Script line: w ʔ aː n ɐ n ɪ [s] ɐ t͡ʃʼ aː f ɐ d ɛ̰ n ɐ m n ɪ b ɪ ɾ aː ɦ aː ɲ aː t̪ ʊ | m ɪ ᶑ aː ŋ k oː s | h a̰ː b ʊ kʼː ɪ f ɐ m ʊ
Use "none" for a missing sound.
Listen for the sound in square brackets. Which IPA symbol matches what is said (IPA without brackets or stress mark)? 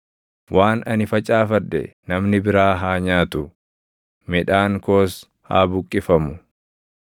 f